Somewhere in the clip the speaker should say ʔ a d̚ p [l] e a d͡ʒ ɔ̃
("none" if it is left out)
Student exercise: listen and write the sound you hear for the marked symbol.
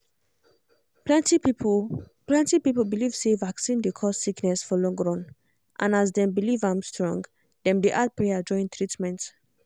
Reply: ɹ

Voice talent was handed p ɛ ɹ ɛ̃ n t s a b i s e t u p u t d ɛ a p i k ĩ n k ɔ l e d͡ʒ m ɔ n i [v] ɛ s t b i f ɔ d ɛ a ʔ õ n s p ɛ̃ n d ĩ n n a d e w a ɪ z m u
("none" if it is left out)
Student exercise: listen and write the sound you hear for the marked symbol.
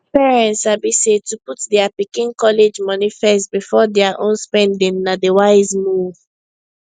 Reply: f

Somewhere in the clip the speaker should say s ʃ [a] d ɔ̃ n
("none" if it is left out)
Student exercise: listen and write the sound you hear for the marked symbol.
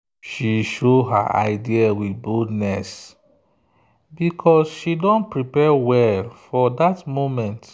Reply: i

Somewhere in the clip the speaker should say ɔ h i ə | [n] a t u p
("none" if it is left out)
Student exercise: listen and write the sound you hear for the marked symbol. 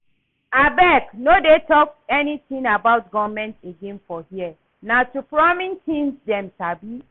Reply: n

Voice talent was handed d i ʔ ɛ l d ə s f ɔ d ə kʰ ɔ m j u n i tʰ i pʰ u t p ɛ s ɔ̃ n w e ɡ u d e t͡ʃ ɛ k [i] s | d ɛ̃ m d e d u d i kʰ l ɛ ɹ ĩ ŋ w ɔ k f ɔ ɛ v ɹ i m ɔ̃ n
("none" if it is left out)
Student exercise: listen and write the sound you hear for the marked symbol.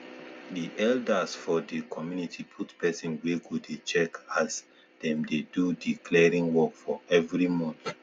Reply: a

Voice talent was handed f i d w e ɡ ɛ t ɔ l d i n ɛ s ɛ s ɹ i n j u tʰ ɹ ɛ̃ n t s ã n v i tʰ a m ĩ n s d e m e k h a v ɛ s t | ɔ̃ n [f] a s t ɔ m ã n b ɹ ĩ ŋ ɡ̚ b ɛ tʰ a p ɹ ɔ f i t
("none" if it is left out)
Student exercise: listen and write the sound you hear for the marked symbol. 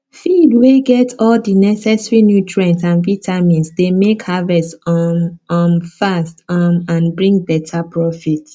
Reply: f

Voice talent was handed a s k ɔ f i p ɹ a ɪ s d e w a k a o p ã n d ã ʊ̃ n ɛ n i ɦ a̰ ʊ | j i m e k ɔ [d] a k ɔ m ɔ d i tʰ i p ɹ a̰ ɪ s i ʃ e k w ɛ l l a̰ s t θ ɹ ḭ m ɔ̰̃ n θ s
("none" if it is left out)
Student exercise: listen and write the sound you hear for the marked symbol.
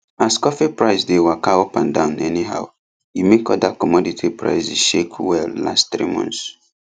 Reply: d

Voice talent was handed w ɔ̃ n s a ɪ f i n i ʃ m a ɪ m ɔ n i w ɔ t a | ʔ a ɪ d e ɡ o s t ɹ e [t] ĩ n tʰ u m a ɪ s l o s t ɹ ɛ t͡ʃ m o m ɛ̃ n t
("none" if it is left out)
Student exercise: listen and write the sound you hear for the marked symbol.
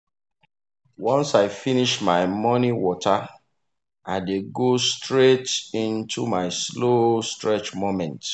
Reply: t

